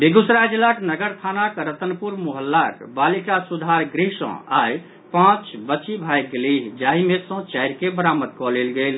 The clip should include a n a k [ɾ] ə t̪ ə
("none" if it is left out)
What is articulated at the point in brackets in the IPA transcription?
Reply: ɾ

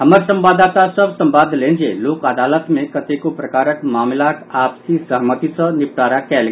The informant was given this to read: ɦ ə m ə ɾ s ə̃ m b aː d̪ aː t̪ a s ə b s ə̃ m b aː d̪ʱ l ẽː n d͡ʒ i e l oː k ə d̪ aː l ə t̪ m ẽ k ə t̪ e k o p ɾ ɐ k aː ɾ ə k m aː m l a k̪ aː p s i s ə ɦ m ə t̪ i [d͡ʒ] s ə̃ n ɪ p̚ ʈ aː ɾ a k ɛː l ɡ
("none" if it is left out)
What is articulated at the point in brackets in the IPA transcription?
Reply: none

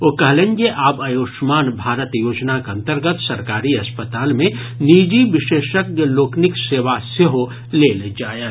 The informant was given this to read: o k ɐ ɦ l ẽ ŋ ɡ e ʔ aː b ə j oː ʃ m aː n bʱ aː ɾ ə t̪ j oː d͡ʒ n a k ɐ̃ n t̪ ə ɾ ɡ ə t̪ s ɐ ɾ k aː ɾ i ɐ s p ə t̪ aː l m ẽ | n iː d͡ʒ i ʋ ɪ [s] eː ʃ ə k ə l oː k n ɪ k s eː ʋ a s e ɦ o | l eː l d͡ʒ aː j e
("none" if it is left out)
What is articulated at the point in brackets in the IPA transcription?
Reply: ʃ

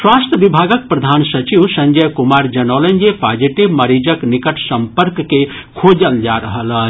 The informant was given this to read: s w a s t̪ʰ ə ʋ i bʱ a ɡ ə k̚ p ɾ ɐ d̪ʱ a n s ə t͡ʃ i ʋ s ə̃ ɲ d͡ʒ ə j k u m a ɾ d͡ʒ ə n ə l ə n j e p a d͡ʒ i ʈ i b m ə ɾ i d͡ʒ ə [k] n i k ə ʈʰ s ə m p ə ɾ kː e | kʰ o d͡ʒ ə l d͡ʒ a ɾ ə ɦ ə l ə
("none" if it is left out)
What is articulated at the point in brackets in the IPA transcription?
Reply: k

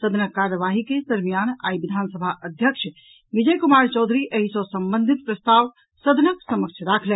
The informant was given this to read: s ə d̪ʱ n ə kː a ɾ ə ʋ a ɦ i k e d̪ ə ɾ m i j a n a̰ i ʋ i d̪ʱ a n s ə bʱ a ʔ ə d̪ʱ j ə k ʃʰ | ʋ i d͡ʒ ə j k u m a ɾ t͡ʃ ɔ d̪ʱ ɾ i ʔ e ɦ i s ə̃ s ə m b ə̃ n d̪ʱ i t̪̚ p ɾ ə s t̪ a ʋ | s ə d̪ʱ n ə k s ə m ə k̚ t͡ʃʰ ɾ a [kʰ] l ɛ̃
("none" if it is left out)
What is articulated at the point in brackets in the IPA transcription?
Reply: kʰ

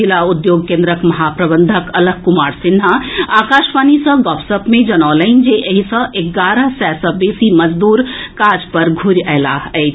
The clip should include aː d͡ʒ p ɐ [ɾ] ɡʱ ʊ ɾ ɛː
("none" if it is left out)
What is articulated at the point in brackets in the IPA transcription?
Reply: ɾ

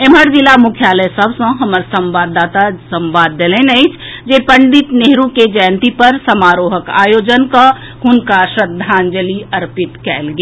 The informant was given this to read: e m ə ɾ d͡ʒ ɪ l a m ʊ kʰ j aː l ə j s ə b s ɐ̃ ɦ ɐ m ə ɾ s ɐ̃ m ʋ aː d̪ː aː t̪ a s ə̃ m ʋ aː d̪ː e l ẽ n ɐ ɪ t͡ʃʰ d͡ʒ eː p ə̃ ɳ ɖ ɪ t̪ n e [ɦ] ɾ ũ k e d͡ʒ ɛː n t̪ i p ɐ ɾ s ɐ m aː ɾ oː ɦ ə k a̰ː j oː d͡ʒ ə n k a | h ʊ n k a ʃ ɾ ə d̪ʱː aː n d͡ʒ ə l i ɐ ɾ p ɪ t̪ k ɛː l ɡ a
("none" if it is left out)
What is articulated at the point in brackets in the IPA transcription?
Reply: ɦ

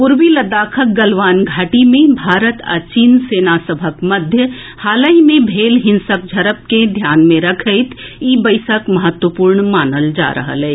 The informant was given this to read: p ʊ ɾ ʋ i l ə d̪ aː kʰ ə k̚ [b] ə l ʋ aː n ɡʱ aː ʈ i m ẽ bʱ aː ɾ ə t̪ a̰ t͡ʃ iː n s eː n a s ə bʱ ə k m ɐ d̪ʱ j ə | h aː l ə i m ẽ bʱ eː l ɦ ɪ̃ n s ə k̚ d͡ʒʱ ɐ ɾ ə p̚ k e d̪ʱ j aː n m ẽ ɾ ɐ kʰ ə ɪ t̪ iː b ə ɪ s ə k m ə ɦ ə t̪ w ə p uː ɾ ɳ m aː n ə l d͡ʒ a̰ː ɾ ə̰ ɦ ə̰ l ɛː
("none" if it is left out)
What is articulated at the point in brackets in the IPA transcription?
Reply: ɡ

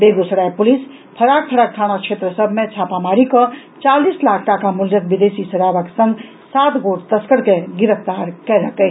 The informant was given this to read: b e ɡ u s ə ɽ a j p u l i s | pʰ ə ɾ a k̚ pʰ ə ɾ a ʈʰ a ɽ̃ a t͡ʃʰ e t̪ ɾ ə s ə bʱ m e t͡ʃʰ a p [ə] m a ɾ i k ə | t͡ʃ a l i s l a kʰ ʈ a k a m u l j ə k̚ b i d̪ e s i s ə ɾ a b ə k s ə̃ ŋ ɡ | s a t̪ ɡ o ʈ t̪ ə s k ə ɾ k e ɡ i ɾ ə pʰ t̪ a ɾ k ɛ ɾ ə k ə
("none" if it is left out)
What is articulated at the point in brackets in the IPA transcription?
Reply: a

